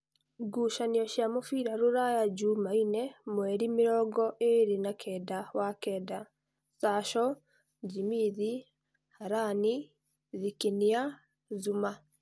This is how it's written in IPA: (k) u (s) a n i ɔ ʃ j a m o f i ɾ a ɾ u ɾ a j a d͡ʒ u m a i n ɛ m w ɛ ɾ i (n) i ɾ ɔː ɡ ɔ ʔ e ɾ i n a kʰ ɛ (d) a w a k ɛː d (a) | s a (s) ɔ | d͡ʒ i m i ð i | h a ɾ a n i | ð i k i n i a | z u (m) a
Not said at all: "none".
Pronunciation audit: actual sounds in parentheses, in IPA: ɡ, ʃ, m, d, a, ʃ, m

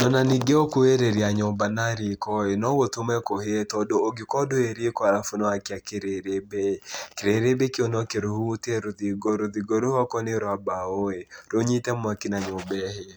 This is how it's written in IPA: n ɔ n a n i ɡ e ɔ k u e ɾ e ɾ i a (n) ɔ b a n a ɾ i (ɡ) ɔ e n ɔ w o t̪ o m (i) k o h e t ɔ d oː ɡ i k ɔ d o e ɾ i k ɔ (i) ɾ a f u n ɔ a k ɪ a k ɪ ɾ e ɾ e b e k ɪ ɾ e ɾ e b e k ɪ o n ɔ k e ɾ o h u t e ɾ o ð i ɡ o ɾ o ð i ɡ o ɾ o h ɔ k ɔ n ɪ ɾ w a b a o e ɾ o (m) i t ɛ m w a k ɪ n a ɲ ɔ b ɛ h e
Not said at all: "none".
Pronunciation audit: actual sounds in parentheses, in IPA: ɲ, k, ɛ, a, ɲ

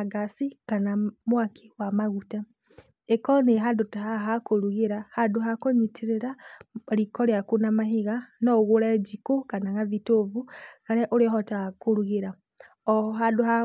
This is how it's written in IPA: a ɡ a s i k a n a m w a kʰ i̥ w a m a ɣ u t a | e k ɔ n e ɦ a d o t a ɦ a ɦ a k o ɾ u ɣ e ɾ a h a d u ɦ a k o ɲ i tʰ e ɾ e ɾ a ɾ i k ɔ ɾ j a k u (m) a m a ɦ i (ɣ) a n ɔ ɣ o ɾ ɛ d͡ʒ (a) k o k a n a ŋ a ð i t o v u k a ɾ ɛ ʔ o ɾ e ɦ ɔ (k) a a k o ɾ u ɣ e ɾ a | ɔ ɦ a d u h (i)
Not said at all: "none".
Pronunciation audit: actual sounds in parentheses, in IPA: n, ɣ, i, t, a

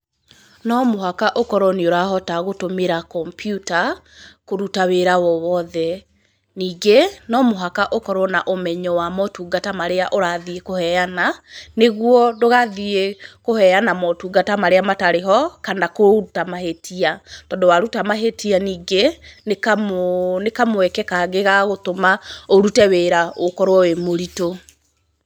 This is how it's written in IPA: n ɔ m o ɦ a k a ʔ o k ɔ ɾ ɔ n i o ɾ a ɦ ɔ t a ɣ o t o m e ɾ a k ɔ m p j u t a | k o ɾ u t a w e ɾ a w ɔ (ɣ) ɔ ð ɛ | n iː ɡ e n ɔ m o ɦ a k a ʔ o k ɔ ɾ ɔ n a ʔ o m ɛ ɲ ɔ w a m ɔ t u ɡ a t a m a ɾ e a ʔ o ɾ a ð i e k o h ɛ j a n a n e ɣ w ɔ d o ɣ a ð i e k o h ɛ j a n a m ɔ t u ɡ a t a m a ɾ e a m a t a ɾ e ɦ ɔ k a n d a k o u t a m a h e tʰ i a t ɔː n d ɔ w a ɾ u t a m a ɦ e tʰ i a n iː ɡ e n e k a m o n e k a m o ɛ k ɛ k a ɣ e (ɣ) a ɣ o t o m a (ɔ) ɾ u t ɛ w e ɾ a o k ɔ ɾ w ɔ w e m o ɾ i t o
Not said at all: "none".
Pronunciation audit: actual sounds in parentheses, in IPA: w, ɣ, o

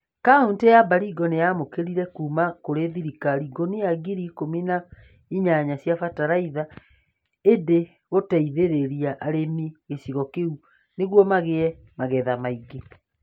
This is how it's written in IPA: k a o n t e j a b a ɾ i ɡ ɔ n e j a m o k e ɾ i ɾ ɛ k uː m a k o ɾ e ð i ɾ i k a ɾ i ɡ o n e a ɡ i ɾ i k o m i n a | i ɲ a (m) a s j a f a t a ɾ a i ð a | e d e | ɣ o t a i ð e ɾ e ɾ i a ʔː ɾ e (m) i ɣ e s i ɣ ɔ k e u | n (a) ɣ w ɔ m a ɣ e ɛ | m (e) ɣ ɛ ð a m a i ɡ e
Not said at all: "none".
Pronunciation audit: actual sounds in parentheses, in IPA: ɲ, m, e, a

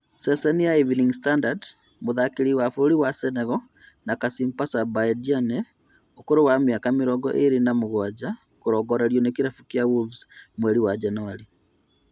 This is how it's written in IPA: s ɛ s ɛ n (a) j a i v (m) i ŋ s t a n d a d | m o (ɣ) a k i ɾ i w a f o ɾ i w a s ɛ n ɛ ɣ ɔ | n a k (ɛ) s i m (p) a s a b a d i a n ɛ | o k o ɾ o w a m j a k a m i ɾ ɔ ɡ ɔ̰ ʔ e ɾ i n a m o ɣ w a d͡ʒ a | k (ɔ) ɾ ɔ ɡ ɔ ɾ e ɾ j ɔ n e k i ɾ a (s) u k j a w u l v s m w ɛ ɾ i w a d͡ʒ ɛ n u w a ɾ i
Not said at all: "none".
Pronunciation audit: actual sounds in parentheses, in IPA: i, n, ð, a, p, o, f

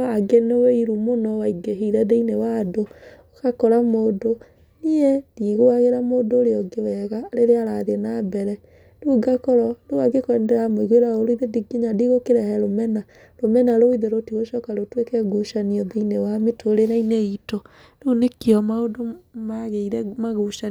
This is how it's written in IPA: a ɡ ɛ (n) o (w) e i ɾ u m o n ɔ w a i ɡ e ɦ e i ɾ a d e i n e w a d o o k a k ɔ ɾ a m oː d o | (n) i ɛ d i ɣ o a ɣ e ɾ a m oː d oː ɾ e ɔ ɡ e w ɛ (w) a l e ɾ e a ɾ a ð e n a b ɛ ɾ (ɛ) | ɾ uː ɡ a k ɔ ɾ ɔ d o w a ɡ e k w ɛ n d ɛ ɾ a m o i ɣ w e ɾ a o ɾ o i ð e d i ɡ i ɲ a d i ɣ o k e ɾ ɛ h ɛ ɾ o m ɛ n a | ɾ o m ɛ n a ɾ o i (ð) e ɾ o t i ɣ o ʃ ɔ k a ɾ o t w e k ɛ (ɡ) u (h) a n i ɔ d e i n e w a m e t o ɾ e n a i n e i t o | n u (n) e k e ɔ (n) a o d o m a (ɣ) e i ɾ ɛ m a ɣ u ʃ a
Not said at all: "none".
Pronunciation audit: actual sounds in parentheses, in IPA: n, w, n, ɣ, ɛ, ð, ɡ, ʃ, n, m, ɣ

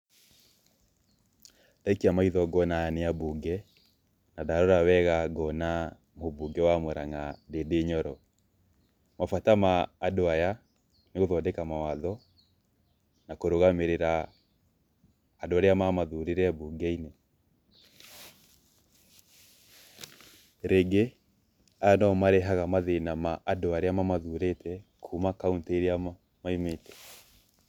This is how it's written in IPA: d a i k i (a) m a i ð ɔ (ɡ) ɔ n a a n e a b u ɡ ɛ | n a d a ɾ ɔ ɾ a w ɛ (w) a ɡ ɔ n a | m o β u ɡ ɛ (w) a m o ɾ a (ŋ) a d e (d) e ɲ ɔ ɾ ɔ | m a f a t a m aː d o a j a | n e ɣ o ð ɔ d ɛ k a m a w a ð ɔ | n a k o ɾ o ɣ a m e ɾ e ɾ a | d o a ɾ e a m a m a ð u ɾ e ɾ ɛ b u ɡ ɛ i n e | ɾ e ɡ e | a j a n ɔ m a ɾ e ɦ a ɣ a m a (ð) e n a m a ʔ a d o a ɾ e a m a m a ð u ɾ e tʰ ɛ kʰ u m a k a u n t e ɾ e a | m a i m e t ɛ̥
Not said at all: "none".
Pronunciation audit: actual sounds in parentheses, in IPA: a, ɡ, ɣ, w, ŋ, d, ð

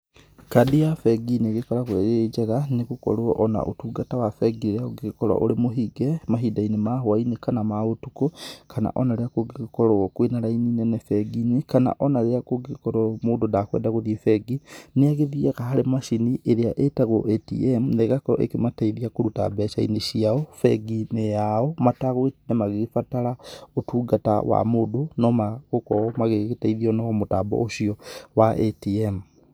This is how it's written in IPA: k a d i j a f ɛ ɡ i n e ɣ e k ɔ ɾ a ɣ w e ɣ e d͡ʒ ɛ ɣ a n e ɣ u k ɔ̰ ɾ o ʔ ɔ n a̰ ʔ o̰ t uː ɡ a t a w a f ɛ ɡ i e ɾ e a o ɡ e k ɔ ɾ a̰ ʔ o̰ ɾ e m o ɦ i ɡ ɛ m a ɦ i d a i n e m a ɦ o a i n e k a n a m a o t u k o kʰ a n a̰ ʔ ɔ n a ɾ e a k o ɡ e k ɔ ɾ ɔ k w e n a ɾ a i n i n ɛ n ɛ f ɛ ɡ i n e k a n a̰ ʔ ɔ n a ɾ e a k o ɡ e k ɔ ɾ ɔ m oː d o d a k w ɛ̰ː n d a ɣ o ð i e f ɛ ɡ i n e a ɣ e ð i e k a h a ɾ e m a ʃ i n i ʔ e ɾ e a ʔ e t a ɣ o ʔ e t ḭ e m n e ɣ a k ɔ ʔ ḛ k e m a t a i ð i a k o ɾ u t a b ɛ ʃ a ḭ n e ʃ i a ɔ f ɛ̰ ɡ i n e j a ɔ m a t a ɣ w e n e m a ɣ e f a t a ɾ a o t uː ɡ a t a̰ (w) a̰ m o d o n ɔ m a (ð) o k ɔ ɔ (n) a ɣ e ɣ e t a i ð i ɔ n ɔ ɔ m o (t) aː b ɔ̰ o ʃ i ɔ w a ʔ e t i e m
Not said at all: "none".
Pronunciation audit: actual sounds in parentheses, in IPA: w, ɣ, m, t

